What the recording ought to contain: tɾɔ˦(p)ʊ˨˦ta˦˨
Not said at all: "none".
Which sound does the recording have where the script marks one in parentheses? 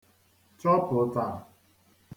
p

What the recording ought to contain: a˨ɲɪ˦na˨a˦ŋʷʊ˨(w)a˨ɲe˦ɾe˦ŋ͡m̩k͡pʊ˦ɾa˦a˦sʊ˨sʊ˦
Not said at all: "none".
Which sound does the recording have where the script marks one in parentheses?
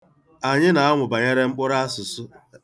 b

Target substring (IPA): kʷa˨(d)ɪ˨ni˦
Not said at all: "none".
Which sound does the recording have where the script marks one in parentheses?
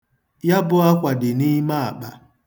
d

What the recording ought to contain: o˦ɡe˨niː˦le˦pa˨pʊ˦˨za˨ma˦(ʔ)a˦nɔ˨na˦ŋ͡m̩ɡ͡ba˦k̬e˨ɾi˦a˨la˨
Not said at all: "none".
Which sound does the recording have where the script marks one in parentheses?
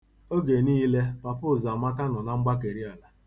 k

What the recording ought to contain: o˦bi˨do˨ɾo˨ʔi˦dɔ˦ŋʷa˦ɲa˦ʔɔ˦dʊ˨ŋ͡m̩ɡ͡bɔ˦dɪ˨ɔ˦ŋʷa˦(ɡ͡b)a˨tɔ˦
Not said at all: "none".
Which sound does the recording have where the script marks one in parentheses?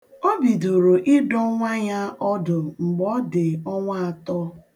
none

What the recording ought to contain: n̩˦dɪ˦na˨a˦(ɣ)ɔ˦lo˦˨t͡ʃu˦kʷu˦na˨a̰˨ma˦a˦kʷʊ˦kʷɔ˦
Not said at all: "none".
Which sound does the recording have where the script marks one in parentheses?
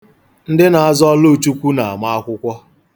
z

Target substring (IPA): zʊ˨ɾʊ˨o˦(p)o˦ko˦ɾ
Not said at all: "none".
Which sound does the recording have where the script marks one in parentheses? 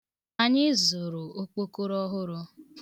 k͡p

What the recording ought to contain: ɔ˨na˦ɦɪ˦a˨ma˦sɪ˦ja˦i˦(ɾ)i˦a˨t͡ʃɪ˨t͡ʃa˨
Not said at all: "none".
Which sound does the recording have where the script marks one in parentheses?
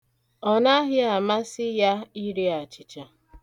ɾ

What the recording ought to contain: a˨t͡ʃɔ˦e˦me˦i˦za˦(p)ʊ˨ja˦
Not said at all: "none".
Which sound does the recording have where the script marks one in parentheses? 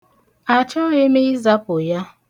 p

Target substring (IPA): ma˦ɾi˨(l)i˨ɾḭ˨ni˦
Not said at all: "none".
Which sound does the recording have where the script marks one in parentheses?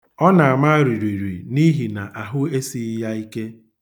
ɾ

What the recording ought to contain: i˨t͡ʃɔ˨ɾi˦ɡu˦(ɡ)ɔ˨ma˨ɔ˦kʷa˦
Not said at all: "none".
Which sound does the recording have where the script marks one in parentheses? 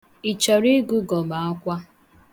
ɡ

